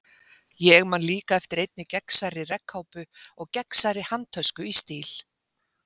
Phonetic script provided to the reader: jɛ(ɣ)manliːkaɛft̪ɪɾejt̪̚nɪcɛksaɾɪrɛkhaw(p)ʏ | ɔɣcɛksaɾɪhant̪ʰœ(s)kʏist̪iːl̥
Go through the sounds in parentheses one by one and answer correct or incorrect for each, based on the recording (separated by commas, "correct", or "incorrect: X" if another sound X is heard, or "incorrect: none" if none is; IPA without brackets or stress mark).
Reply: correct, correct, correct